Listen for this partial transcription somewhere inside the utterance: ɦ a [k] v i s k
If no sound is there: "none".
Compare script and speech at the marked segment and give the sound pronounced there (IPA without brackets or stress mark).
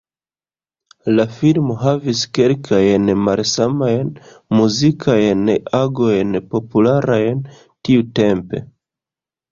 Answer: none